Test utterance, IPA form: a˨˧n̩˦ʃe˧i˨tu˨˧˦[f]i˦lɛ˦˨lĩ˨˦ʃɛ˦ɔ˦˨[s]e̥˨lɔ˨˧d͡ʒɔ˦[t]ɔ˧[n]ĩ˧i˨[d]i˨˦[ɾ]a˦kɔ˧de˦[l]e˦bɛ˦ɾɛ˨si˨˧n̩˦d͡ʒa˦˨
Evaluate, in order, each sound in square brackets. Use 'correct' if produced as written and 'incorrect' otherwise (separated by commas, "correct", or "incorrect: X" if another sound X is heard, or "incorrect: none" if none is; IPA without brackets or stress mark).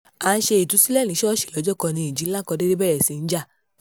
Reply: incorrect: s, incorrect: ʃ, incorrect: k, correct, incorrect: d͡ʒ, incorrect: l, incorrect: ɾ